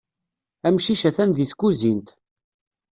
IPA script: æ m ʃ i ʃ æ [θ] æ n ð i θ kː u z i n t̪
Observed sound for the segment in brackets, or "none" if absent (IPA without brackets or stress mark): θ